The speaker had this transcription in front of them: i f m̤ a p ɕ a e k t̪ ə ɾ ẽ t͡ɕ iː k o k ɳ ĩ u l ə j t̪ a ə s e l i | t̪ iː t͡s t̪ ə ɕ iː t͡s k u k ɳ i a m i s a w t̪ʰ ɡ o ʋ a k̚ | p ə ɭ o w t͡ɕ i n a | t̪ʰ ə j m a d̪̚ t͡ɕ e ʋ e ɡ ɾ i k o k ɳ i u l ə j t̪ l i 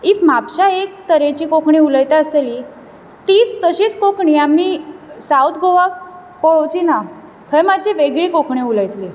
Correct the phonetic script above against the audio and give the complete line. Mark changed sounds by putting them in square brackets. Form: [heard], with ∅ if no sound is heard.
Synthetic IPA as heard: i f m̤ a p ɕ a e k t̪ ə ɾ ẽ t͡ɕ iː k o k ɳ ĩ u l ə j t̪ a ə s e l i | t̪ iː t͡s t̪ ə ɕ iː t͡s k [o] k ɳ i a m i s a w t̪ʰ ɡ o ʋ a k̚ | p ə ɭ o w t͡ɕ i n a | t̪ʰ ə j m a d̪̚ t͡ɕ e ʋ e ɡ [ɭ] i k o k ɳ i u l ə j t̪ l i